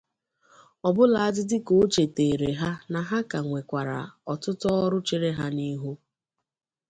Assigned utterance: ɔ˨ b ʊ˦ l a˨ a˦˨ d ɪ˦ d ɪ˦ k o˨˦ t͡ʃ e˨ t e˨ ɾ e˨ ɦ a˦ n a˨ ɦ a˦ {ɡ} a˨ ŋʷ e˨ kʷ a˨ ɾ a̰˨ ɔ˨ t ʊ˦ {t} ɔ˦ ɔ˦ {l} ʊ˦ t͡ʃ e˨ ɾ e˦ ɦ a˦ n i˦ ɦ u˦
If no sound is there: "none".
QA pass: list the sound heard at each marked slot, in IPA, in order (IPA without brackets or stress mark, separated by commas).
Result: k, t, ɾ